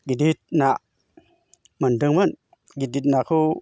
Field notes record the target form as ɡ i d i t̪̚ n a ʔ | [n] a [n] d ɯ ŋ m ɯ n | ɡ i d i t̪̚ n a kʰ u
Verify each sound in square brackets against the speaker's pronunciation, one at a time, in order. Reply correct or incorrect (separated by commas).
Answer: incorrect, correct